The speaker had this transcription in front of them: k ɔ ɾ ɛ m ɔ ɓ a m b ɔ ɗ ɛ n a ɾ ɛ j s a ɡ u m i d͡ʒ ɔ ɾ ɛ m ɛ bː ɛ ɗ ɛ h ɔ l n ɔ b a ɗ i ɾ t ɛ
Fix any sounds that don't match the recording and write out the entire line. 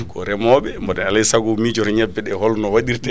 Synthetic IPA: k ɔ ɾ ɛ m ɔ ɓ ɛ m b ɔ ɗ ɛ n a l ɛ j s a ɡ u m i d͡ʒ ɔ ɾ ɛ ɲ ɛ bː ɛ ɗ ɛ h ɔ l n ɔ w a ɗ i ɾ t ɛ